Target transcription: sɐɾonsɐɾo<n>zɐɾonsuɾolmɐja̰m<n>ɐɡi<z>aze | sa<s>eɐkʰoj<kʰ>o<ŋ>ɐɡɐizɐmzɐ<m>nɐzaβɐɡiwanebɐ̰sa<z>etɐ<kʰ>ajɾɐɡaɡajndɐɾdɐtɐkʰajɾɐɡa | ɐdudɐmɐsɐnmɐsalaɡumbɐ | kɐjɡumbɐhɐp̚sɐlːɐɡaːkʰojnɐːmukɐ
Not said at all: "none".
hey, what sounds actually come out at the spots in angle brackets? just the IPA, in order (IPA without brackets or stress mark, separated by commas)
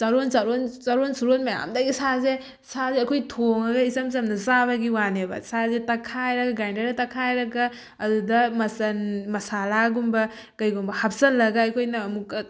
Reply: n, d, s, z, tʰ, ŋ, m, z, kʰ